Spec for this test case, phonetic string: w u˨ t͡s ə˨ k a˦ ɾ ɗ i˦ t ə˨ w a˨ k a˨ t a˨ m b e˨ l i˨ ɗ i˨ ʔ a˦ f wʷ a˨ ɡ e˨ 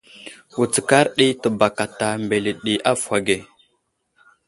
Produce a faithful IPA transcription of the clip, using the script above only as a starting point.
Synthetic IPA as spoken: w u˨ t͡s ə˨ k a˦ ɾ ɗ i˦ t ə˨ b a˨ k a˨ t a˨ m b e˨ l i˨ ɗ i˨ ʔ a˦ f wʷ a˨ ɡ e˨